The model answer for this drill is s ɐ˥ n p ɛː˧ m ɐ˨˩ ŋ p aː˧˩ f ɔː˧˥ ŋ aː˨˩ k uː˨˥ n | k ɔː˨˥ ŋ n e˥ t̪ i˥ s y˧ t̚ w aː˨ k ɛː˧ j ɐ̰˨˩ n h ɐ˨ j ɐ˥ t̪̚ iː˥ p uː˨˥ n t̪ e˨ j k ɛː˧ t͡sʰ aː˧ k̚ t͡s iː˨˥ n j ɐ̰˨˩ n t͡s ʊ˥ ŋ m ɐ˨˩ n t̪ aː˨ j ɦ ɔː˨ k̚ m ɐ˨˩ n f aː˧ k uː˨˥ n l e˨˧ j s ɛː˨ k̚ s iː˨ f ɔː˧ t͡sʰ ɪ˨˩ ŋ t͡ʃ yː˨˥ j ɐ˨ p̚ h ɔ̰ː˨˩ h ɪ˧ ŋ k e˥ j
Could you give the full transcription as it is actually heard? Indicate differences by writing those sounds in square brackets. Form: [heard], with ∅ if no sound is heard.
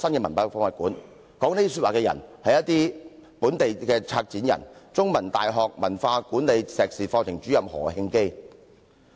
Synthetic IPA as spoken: s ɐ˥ n [k] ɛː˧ m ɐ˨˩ [n] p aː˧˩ f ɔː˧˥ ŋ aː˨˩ k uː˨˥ n | k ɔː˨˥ ŋ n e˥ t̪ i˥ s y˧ t̚ w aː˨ k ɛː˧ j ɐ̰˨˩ n h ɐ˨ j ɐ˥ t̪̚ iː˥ p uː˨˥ n t̪ e˨ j k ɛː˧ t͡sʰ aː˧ k̚ t͡s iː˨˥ n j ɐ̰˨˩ n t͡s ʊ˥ ŋ m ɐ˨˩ n t̪ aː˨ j ɦ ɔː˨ k̚ m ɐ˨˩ n f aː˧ k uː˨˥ n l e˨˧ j s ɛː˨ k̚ s iː˨ f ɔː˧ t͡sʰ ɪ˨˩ ŋ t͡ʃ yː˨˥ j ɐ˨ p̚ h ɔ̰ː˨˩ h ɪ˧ ŋ k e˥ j

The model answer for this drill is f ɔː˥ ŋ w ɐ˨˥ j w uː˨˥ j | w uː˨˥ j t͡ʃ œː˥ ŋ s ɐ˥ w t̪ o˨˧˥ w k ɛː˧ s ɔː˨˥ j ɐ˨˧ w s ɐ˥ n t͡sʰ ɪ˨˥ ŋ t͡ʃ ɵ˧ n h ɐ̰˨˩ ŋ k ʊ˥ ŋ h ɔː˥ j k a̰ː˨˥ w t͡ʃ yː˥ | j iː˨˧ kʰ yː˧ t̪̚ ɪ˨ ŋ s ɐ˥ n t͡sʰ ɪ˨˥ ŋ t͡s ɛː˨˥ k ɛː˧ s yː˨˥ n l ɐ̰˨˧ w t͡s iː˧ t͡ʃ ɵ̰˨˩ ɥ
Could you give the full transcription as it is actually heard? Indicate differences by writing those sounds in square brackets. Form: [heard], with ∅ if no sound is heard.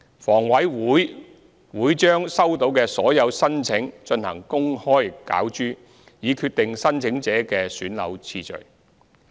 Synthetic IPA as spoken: f [ɔː˨˩] ŋ w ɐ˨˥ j w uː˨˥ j | w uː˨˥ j t͡ʃ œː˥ ŋ s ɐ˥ w t̪ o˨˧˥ w k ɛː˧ s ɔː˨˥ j ɐ˨˧ w s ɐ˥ n t͡sʰ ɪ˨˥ ŋ t͡ʃ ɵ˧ n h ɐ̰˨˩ ŋ k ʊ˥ ŋ h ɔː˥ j k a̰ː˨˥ w t͡ʃ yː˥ | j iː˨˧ kʰ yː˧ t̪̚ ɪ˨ ŋ s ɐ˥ n t͡sʰ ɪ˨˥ ŋ t͡s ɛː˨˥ k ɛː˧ s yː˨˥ n l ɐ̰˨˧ w [t͡sʰ] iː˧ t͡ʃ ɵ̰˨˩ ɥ

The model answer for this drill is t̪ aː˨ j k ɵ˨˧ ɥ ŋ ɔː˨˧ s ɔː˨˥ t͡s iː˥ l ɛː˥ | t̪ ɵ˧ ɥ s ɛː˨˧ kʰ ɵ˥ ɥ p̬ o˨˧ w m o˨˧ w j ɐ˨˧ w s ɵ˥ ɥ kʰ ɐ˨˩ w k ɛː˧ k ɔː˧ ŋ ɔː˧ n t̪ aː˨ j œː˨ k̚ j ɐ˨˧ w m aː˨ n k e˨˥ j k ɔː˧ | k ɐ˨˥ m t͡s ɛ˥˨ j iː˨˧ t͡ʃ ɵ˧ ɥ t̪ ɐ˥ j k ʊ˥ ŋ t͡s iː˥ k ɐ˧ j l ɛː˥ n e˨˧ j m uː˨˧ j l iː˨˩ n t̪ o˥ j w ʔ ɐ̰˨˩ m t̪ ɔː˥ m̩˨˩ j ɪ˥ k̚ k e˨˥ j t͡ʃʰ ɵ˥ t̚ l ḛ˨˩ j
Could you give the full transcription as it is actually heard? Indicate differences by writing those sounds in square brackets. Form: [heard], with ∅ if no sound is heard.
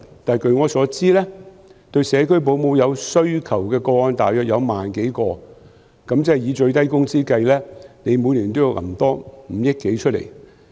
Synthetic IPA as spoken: t̪ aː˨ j k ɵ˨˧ ɥ ŋ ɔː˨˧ s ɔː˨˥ t͡s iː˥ l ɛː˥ | t̪ ɵ˧ ɥ s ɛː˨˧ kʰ ɵ˥ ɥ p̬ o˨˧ w m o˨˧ w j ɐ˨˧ w s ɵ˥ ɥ kʰ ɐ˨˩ w k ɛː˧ k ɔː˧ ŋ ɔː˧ n t̪ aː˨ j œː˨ k̚ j ɐ˨˧ w m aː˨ n k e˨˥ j k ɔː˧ | k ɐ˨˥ m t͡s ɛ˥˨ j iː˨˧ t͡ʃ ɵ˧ ɥ t̪ ɐ˥ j k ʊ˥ ŋ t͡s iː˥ k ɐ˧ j l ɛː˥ n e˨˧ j m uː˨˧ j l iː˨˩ n t̪ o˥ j w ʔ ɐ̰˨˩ m t̪ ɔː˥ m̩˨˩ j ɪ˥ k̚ k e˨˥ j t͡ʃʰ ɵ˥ t̚ l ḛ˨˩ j

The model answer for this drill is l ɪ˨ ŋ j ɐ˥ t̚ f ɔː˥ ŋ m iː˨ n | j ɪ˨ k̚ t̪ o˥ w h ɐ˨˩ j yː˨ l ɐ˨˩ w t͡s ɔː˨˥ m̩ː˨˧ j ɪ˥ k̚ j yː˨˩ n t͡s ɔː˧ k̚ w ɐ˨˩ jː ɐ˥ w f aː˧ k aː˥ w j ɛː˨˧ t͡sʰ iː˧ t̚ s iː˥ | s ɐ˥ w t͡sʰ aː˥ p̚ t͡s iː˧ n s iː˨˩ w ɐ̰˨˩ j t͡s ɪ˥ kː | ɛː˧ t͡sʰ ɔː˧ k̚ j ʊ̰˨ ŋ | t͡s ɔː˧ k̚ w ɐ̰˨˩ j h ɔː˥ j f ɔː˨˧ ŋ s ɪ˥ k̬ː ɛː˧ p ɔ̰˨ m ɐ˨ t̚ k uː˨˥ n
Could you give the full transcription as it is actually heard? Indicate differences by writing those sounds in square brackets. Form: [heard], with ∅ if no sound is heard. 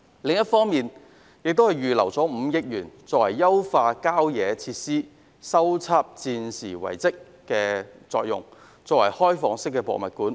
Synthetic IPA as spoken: l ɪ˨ ŋ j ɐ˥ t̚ f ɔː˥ ŋ m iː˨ n | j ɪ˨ k̚ t̪ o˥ w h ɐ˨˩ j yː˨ l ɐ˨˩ w t͡s ɔː˨˥ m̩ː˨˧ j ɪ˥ k̚ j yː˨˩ n t͡s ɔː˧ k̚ w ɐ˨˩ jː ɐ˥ w f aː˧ k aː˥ w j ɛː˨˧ t͡sʰ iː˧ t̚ s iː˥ | s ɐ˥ w t͡sʰ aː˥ p̚ t͡s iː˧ n s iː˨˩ w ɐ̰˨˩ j t͡s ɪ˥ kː | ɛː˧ [t͡s] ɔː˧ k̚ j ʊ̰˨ ŋ | t͡s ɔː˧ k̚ w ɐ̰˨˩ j h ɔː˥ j f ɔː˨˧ ŋ s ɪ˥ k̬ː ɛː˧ p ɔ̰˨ m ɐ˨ t̚ k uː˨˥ n

